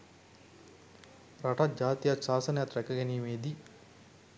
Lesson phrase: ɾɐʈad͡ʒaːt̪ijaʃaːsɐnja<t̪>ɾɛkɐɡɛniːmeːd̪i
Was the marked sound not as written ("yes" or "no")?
no